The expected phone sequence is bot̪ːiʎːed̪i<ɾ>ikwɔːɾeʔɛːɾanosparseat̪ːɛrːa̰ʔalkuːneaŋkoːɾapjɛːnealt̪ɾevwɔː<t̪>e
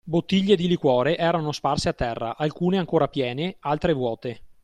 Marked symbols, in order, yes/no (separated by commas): no, yes